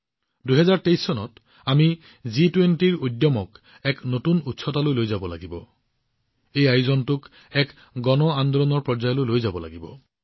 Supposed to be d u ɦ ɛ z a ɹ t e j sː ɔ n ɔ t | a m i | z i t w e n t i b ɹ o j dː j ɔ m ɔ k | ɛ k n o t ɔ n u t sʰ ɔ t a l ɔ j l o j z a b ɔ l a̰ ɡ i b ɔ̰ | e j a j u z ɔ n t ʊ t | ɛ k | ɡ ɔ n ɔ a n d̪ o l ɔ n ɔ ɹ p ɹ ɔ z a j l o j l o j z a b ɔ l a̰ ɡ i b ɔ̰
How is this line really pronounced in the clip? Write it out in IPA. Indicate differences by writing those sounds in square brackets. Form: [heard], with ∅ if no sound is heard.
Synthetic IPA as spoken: d u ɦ ɛ z a ɹ t e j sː ɔ n ɔ t | a m i | z i t w e n t i [∅] ɹ o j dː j ɔ m ɔ k | ɛ k n o t [u] n u t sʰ ɔ t a l [o] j l o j z a b ɔ l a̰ ɡ i b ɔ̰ | e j a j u z ɔ n t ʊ [k] | ɛ k | ɡ ɔ n ɔ a n d̪ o l ɔ n ɔ ɹ p ɹ ɔ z a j l o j l o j z a b ɔ l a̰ ɡ i b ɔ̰